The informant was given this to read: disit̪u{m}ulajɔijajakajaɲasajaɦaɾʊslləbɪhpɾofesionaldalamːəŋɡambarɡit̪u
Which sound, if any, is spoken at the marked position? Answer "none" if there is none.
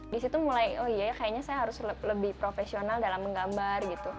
m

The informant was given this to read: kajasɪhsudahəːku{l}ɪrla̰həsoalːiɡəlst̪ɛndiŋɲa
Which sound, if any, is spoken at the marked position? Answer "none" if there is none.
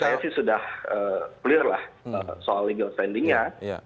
l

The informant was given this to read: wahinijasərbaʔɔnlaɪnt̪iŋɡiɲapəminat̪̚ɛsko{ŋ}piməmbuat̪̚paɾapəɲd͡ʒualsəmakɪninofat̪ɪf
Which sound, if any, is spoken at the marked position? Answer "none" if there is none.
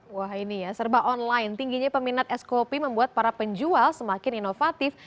none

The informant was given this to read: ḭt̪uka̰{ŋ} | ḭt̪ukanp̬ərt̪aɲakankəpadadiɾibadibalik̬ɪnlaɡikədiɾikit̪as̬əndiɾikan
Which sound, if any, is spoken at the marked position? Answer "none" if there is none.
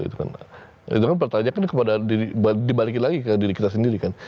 n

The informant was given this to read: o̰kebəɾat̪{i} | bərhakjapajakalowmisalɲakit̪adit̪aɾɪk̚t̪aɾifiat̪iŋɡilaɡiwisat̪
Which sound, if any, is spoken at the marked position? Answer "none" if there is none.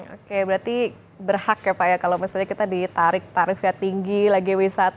i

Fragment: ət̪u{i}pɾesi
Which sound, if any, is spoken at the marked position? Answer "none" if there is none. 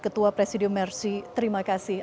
a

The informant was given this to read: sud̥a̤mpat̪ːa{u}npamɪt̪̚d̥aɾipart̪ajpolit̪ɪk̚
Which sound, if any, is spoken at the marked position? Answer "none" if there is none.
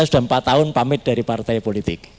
ʊ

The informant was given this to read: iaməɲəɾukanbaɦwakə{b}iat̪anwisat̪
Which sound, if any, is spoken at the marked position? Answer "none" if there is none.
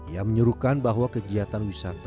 ɡ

